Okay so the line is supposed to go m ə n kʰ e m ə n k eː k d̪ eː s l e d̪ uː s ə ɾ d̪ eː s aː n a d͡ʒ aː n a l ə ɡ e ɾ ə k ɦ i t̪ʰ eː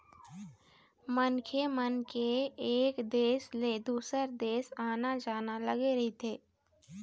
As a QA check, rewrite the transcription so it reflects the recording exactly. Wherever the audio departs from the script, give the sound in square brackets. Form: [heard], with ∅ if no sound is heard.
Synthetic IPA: m ə n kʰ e m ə n k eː k d̪ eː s l e d̪ uː s ə ɾ d̪ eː s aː n a d͡ʒ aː n a l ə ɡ e ɾ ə [∅] ɦ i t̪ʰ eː

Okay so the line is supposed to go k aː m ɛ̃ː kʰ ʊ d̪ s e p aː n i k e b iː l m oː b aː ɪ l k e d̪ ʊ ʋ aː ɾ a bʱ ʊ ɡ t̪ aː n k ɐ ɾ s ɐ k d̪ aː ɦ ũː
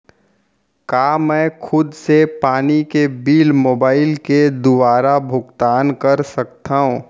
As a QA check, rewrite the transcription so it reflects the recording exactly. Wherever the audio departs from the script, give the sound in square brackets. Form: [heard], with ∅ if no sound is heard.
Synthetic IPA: k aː m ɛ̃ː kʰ ʊ d̪ s e p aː n i k e b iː l m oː b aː ɪ l k e d̪ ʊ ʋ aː ɾ a bʱ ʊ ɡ t̪ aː n k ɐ ɾ s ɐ k [t̪] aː ɦ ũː

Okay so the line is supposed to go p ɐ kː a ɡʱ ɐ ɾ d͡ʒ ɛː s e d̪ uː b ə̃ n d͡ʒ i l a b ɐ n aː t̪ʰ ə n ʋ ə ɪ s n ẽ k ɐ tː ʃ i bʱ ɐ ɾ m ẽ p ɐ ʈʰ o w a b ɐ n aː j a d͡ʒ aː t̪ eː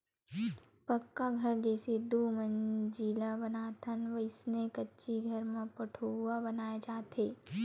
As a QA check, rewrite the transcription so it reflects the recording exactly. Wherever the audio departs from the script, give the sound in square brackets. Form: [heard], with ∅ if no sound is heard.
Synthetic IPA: p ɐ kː a ɡʱ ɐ ɾ d͡ʒ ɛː s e d̪ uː [m] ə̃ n d͡ʒ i l a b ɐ n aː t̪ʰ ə n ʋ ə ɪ s n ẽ k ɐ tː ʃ i [ɡʱ] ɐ ɾ m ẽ p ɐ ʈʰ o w a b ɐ n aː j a d͡ʒ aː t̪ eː

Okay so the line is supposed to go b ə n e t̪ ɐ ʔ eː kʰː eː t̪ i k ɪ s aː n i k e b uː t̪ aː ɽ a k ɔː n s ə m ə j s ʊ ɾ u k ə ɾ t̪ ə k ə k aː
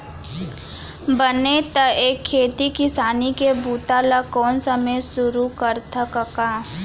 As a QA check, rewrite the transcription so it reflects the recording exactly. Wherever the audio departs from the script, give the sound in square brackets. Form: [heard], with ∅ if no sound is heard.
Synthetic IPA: b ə n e t̪ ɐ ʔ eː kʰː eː t̪ i k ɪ s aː n i k e b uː t̪ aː [l] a k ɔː n s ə m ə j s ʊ ɾ u k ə ɾ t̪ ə k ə k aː

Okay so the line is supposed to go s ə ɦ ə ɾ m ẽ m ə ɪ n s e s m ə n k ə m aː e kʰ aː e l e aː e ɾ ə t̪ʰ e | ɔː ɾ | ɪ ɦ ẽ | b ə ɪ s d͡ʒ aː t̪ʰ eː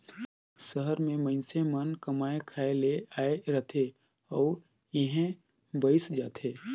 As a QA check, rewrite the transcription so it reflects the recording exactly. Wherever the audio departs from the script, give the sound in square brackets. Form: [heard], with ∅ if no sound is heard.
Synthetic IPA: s ə ɦ ə ɾ m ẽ m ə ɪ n s e [∅] m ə n k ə m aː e kʰ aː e l e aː e ɾ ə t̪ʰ e | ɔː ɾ | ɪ ɦ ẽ | b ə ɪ s d͡ʒ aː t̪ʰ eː

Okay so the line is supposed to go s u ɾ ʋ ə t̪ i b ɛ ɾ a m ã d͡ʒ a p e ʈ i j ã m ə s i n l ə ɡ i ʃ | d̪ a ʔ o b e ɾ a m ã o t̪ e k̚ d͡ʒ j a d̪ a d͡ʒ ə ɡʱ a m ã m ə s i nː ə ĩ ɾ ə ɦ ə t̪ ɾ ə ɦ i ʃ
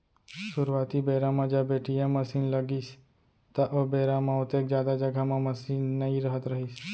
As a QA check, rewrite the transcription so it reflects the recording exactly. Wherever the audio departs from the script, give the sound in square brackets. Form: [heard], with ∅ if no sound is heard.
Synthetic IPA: s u ɾ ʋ [a] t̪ i b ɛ ɾ a m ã d͡ʒ a [b] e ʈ i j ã m ə s i n l ə ɡ i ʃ | [t̪] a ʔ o b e ɾ a m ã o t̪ e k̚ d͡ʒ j a d̪ a d͡ʒ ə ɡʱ a m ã m ə s i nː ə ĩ ɾ ə ɦ ə t̪ ɾ ə ɦ i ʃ

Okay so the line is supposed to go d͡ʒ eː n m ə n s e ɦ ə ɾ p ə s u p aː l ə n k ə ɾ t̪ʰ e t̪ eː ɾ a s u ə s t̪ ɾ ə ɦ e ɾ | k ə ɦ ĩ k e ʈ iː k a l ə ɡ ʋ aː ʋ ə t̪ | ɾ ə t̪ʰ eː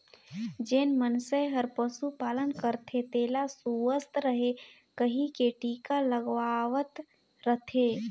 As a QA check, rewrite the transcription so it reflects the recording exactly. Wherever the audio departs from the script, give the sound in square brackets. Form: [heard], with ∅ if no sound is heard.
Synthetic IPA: d͡ʒ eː n m ə n s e ɦ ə ɾ p ə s u p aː l ə n k ə ɾ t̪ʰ e t̪ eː [l] a s u ə s t̪ ɾ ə ɦ e [∅] | k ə ɦ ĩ k e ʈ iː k a l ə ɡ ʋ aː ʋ ə t̪ | ɾ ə t̪ʰ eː

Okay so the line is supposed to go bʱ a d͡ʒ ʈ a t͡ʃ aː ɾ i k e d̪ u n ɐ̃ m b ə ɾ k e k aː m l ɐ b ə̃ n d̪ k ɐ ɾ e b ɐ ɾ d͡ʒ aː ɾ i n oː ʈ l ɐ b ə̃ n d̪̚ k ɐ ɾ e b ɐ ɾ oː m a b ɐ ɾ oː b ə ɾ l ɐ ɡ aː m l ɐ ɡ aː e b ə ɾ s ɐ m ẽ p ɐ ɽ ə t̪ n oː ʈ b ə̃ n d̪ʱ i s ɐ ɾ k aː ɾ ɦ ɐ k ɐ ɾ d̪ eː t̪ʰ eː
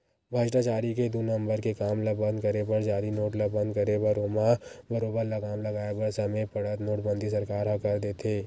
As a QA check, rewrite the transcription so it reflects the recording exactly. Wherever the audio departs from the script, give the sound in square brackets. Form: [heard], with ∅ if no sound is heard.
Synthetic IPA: bʱ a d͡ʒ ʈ a t͡ʃ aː ɾ i k e d̪ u n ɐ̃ m b ə ɾ k e k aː m l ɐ b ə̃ n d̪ k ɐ ɾ e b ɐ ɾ d͡ʒ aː ɾ i n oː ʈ l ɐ b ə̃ n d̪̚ k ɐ ɾ e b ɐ ɾ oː m a b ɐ ɾ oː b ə ɾ l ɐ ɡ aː m l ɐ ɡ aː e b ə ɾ s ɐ m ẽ p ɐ ɽ ə t̪ n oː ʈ b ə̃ n d̪ʱ i s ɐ ɾ k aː ɾ ɦ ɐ k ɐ ɾ d̪ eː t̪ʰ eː

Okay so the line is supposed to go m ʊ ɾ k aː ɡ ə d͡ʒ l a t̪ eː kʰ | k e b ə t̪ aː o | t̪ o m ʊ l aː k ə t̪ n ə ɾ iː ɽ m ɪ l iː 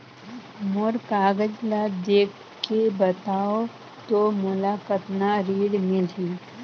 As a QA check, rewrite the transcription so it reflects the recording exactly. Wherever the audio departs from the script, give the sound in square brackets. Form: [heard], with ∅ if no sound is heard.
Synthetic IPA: m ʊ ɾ k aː ɡ ə d͡ʒ l a [d̪] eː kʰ | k e b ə t̪ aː o | t̪ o m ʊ l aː k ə t̪ n [a] ɾ iː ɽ m ɪ l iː

